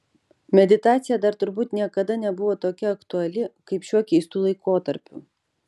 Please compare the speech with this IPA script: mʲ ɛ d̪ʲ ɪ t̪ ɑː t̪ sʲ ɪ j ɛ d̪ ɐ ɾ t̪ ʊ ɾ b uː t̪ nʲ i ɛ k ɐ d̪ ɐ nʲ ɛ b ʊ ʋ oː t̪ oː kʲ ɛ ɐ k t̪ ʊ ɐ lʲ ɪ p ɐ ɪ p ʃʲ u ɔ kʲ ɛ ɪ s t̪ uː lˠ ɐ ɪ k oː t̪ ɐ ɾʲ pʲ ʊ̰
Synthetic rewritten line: mʲ ɛ d̪ʲ ɪ t̪ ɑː t̪ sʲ ɪ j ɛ d̪ ɐ ɾ t̪ ʊ ɾ b uː t̪ nʲ i ɛ k ɐ d̪ ɐ nʲ ɛ b ʊ ʋ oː t̪ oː kʲ ɛ ɐ k t̪ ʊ ɐ lʲ ɪ k ɐ ɪ p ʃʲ u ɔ kʲ ɛ ɪ s t̪ uː lˠ ɐ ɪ k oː t̪ ɐ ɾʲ pʲ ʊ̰